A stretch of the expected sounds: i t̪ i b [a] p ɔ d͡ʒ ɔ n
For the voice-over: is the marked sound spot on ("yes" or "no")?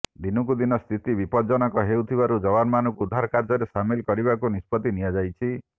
no